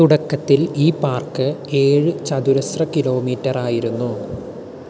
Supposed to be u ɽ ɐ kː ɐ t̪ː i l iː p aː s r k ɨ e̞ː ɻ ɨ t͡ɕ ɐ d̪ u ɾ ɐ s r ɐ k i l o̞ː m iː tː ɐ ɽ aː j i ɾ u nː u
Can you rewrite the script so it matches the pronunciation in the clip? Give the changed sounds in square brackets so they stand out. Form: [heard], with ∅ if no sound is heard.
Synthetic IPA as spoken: u ɽ ɐ kː ɐ t̪ː i l iː p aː [∅] r k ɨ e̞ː ɻ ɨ t͡ɕ ɐ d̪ u ɾ ɐ s r ɐ k i l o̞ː m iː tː ɐ [r] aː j i ɾ u nː u